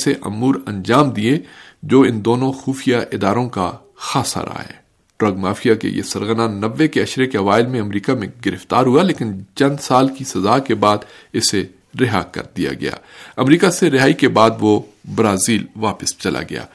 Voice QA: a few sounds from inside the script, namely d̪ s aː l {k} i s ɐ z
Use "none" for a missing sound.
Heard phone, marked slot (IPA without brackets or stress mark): k